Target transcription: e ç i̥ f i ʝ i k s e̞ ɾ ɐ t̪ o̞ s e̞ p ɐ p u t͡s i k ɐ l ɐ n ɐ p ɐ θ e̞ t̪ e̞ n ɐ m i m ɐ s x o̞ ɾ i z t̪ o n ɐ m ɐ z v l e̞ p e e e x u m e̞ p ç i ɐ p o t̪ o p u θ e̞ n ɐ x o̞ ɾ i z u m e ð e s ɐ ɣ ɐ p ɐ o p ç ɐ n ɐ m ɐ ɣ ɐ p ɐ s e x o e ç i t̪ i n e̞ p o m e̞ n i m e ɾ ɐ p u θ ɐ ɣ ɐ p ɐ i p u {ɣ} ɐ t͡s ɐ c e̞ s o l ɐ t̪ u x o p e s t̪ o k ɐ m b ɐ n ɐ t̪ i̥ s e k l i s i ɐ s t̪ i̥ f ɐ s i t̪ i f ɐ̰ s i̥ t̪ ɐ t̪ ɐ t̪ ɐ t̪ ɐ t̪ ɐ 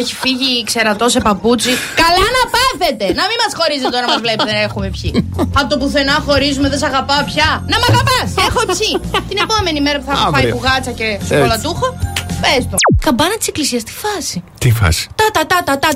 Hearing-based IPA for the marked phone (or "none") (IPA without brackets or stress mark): ɣ